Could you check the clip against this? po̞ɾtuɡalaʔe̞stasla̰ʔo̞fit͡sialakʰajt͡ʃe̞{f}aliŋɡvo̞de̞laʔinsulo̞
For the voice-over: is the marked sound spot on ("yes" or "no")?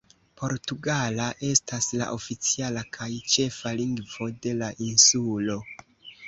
yes